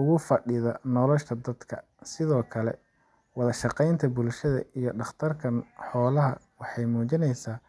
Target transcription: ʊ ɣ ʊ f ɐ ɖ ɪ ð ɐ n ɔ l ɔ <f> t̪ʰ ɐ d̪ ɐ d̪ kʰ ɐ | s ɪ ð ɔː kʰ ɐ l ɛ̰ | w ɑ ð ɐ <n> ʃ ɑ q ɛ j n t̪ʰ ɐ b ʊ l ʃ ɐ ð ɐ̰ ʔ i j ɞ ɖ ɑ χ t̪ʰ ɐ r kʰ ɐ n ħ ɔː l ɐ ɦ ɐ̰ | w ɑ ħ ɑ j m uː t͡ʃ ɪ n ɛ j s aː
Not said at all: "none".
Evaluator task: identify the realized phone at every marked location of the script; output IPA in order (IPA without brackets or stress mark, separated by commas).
ʃ, none